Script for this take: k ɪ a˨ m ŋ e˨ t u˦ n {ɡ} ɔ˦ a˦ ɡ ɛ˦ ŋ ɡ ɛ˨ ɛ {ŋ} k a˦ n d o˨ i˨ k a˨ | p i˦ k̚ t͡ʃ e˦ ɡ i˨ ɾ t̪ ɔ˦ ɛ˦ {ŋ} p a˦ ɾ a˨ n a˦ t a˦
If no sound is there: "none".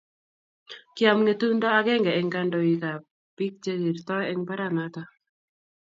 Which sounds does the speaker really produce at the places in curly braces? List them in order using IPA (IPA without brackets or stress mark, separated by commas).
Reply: d, ŋ, ŋ